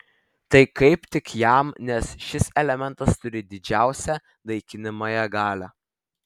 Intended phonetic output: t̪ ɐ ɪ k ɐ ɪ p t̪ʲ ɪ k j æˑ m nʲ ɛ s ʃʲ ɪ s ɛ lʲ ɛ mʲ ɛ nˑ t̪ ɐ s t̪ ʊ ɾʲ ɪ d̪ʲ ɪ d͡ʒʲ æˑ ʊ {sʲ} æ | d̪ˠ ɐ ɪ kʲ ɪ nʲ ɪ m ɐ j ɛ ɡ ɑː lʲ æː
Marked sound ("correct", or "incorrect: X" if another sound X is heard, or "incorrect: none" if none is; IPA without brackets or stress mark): correct